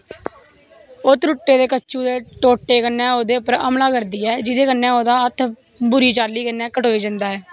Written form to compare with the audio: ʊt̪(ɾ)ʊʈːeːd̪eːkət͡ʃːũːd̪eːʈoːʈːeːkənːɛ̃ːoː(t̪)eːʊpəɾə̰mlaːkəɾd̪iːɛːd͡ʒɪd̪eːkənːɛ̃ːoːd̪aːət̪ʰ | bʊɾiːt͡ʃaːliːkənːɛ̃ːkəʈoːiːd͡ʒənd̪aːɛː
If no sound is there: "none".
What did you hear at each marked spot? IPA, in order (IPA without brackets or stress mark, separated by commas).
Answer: ɾ, d̪